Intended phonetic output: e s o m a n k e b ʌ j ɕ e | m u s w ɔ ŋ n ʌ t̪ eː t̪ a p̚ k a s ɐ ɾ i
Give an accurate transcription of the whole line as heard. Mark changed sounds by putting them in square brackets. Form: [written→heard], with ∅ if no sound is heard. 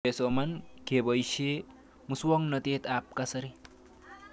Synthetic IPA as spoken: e s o m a n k e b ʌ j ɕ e | m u s w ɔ ŋ n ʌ t̪ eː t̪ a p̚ k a s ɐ ɾ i